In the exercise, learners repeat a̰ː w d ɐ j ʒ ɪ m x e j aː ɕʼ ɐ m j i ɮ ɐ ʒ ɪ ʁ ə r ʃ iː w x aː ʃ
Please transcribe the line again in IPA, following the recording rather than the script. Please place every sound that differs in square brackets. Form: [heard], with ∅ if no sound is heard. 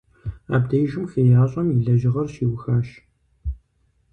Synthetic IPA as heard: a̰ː [b] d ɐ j ʒ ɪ m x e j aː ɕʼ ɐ m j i ɮ ɐ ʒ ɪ ʁ [ɐ] r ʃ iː w x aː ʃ